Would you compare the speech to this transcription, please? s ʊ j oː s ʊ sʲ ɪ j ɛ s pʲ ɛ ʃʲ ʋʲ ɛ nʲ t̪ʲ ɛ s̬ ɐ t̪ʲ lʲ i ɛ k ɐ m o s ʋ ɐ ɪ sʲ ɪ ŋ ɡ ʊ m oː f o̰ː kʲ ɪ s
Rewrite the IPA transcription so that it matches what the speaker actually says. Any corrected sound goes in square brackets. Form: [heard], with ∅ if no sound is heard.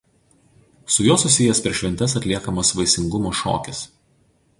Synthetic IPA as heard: s ʊ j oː s ʊ sʲ ɪ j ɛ s pʲ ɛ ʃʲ ʋʲ ɛ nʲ t̪ʲ ɛ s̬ ɐ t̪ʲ lʲ i ɛ k ɐ m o s ʋ ɐ ɪ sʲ ɪ ŋ ɡ ʊ m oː [ʃ] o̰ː kʲ ɪ s